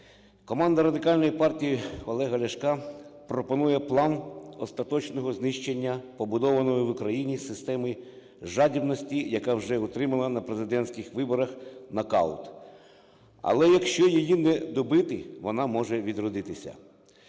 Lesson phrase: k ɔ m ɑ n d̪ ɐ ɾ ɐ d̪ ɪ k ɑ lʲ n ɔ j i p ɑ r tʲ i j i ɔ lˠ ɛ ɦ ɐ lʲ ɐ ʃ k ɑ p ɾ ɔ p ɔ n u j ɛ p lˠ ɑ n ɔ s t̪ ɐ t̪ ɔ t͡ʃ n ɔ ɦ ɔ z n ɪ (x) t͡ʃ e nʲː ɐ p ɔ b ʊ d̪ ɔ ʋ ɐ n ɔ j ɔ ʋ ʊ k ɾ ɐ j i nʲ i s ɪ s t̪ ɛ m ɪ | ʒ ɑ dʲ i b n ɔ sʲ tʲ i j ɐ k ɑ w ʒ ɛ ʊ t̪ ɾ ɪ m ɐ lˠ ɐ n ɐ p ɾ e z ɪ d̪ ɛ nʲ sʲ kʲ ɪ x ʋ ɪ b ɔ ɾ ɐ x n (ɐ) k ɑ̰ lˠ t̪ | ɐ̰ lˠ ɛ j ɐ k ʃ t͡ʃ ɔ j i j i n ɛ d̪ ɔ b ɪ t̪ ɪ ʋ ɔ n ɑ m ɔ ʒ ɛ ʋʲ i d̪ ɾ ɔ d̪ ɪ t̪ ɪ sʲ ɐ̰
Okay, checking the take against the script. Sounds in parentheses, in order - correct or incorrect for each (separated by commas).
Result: incorrect, correct